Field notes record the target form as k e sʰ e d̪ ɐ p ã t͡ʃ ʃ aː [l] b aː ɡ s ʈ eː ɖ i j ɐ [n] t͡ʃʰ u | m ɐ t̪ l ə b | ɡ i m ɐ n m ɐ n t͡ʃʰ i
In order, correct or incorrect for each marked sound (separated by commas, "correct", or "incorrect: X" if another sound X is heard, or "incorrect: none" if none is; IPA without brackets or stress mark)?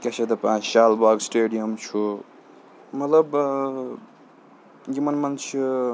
correct, incorrect: m